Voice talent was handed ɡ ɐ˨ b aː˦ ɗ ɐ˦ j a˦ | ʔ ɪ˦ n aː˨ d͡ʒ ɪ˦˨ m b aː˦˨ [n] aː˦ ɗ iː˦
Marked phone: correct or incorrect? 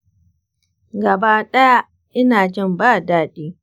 incorrect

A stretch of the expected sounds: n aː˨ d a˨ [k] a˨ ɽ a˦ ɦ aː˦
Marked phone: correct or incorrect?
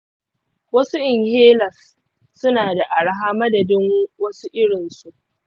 incorrect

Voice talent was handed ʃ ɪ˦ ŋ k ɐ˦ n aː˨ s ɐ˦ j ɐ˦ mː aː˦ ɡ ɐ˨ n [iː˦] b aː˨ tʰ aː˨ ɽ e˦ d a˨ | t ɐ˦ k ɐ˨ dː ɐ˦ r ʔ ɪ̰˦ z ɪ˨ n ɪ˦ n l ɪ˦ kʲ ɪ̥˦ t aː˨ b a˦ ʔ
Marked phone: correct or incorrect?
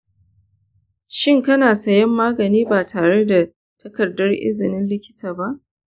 correct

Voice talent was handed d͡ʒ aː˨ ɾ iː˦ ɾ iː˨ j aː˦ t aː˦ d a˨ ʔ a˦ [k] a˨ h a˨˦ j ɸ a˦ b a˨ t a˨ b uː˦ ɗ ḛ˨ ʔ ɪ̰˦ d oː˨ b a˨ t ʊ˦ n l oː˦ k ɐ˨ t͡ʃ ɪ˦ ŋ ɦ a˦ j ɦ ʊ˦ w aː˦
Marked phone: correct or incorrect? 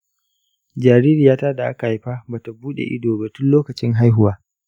correct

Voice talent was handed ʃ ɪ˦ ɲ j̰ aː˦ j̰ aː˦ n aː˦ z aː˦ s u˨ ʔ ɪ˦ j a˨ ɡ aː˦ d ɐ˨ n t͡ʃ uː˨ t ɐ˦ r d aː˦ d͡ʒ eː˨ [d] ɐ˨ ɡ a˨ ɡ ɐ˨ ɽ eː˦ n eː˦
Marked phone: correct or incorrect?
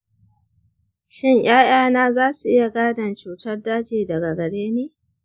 correct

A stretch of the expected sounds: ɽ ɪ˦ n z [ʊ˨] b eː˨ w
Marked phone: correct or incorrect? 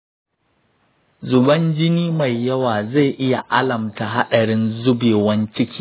incorrect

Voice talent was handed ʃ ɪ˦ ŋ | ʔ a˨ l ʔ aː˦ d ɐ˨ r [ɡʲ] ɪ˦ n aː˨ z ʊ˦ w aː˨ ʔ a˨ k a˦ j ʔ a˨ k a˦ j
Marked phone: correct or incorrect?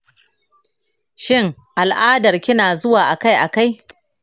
incorrect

